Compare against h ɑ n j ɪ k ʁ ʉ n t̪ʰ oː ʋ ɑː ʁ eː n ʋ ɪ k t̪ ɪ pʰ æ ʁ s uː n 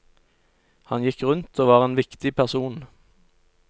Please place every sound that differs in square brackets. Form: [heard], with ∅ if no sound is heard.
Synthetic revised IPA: h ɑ n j ɪ k ʁ ʉ n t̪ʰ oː ʋ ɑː ʁ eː n ʋ ɪ k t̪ ɪ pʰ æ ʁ s uː n

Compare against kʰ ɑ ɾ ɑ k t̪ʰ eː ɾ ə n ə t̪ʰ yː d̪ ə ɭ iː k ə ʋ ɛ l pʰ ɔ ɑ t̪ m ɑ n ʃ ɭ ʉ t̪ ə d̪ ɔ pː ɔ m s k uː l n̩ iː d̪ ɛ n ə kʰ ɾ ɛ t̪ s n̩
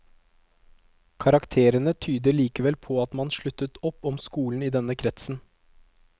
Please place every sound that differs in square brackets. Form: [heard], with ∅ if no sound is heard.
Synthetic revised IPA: kʰ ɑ ɾ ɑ k t̪ʰ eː ɾ ə n ə t̪ʰ yː d̪ ə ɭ iː k ə ʋ ɛ l pʰ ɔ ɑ t̪ m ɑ n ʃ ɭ ʉ t̪ ə [t̪] ɔ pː ɔ m s k uː l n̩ iː d̪ ɛ n ə kʰ ɾ ɛ t̪ s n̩

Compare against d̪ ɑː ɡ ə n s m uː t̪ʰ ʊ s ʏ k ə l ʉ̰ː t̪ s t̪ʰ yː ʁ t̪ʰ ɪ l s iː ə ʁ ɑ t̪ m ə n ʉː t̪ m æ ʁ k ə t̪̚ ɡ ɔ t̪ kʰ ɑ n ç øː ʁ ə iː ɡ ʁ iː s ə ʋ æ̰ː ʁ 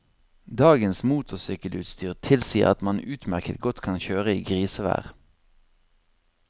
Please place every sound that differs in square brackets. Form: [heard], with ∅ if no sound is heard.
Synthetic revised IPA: d̪ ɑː ɡ ə n s m uː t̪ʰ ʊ s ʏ k ə l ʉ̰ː t̪ s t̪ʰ yː ʁ t̪ʰ ɪ l s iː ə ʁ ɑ t̪ m [ɑ] n ʉː t̪ m æ ʁ k ə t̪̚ ɡ ɔ t̪ kʰ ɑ n ç øː ʁ ə iː ɡ ʁ iː s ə ʋ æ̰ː ʁ

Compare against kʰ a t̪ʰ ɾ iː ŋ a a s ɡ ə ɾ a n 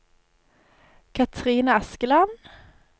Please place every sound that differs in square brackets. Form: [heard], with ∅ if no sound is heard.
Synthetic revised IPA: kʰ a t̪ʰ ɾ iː [n] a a s [k] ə [l] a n

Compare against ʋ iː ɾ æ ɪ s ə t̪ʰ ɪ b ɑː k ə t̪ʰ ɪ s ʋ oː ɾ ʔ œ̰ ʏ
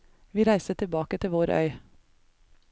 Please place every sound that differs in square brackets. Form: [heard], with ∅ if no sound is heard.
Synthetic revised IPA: ʋ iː ɾ æ ɪ s ə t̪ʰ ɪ b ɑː k ə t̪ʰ ɪ [∅] ʋ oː ɾ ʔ œ̰ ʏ

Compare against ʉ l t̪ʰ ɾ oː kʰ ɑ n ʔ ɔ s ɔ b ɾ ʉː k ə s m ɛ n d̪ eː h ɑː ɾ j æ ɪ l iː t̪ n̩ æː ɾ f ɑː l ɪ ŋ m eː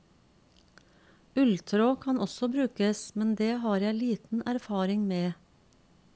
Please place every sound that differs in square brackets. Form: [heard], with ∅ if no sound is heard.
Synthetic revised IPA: ʉ l t̪ʰ ɾ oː kʰ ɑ n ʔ ɔ s ɔ b ɾ ʉː k ə s m ɛ n d̪ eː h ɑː ɾ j æ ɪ l iː t̪ n̩ [æ] ɾ f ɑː [ɾ] ɪ ŋ m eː

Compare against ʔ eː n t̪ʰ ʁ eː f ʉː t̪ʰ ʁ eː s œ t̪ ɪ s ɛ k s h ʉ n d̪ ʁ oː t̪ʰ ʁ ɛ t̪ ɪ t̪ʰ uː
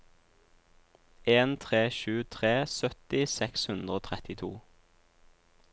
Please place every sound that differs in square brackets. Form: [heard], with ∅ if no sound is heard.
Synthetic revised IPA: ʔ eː n t̪ʰ ʁ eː [ʃ] ʉː t̪ʰ ʁ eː s œ t̪ ɪ s ɛ k s h ʉ n d̪ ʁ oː t̪ʰ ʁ ɛ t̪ ɪ t̪ʰ uː

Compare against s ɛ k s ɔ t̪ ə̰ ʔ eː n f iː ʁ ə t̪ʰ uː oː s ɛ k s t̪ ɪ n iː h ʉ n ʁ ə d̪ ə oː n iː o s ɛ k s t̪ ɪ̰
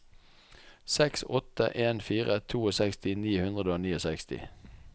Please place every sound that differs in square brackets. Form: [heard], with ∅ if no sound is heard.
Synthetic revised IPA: s ɛ k s ɔ t̪ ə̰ ʔ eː n f iː ʁ ə t̪ʰ uː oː s ɛ k s t̪ ɪ n iː h ʉ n ʁ ə d̪ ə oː n iː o s ɛ k s t̪ ɪ̰

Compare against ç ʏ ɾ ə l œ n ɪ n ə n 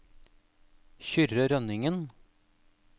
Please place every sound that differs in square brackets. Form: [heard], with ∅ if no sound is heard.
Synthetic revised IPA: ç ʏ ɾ ə [ɾ] œ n ɪ [ŋ] ə n

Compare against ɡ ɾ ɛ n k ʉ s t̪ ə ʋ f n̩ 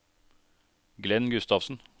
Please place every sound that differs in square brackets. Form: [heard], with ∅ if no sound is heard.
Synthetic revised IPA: ɡ [l] ɛ n [ɡ] ʉ s t̪ [ɑ] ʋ [s] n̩

